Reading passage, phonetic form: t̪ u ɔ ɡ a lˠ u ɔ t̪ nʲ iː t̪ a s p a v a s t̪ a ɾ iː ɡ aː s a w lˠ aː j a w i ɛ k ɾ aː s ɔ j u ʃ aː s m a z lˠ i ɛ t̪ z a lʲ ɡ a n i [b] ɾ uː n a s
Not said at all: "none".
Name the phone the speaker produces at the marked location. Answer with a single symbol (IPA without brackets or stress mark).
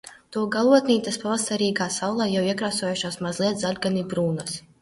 b